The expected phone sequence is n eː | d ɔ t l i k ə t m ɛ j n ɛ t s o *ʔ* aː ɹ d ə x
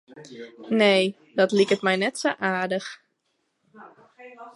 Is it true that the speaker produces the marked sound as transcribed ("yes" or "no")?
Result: yes